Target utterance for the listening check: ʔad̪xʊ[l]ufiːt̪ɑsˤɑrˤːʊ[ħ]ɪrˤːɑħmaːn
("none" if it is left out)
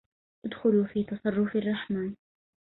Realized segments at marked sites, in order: l, f

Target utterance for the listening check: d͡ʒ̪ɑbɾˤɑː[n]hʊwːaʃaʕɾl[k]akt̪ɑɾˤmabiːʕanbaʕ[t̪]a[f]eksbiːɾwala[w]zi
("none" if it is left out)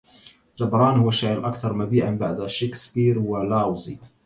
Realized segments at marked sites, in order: n, ʔ, d̪, ʃ, w

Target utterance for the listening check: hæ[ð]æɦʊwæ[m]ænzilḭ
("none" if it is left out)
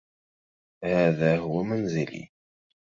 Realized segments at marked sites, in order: ð, m

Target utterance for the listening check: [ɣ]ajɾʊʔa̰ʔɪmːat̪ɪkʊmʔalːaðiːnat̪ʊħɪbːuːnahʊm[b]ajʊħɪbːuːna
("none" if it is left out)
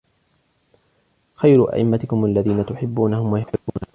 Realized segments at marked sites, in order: x, w

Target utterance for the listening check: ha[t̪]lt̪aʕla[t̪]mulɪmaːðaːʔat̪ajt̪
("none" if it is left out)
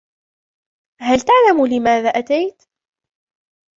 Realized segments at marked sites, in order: none, none

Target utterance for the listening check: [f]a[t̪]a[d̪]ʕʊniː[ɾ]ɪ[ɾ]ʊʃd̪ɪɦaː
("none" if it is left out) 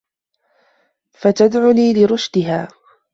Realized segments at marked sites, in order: f, t̪, d̪, l, ɾ

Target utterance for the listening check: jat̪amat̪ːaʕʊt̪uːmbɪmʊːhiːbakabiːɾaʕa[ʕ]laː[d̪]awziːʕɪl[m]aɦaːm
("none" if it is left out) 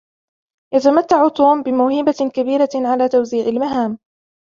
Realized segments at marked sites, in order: none, t̪, m

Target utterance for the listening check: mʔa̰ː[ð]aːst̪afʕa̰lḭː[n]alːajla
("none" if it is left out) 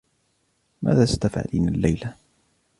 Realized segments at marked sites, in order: ð, n

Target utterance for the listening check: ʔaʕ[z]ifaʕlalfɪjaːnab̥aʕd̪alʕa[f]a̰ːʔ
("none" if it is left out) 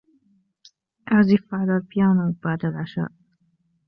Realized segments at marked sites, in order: z, ʃ

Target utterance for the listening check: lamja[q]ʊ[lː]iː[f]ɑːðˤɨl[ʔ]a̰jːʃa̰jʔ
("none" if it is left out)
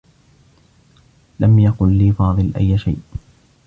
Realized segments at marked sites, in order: q, lː, f, ʔ

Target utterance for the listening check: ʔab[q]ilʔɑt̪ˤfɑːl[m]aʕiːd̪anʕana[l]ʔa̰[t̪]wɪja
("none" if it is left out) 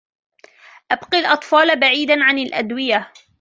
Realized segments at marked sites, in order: q, b, l, d̪

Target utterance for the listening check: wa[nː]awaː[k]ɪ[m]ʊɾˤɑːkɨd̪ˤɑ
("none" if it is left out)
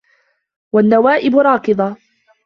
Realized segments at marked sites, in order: nː, ʔ, b

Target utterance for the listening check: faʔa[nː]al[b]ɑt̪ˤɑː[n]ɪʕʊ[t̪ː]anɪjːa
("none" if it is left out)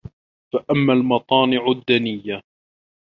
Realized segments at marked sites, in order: mː, m, n, d̪ː

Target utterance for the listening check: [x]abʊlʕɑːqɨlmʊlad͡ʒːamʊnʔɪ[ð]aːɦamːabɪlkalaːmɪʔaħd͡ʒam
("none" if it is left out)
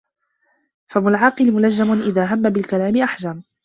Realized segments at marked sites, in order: f, ð

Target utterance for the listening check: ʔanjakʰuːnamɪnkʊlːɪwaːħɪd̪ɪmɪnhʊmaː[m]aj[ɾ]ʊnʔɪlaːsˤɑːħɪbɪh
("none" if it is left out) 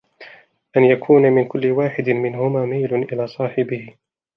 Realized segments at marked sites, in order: m, l

